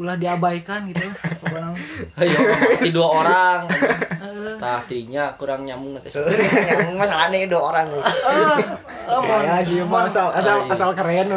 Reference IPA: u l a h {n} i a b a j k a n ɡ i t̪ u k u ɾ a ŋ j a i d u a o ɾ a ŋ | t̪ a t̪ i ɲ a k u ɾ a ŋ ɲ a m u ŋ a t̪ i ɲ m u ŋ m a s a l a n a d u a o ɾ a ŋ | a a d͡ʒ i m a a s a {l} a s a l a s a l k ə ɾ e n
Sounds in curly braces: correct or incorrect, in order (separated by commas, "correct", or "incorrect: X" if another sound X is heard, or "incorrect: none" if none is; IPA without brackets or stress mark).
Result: incorrect: d, correct